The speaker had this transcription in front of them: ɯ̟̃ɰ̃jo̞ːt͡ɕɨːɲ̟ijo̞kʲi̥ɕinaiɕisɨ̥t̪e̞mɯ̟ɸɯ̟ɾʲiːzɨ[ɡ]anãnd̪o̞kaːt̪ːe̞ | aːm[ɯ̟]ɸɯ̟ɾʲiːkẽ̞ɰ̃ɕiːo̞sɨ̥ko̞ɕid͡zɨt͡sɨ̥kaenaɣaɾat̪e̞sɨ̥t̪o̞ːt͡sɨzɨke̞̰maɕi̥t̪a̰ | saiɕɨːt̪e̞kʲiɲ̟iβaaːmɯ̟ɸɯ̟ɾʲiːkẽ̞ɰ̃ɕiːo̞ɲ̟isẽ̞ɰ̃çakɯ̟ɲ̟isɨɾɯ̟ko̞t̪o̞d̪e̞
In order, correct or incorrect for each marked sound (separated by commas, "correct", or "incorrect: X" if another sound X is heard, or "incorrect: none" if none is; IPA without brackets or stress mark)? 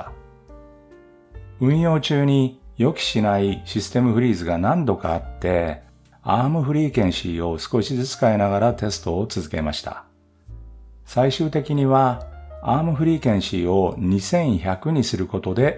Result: correct, correct